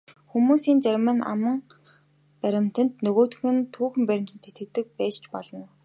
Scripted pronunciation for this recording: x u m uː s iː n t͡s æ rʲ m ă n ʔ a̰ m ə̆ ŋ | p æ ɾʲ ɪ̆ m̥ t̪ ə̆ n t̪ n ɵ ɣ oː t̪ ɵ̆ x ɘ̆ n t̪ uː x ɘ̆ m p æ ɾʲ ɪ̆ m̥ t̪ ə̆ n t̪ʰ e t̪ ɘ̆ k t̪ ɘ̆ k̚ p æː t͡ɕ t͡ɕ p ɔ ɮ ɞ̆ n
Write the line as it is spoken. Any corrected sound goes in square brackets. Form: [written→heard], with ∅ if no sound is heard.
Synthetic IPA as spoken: x u m uː s iː n t͡s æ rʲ m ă n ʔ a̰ m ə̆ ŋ | p æ ɾʲ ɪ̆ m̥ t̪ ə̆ n t̪ n ɵ ɣ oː t̪ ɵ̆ x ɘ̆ n [t̪→t̪ʰ] uː x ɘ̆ m p æ ɾʲ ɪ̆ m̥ t̪ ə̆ n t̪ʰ e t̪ ɘ̆ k t̪ ɘ̆ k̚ p æː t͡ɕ t͡ɕ p ɔ ɮ ɞ̆ n